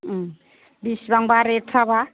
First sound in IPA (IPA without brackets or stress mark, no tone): b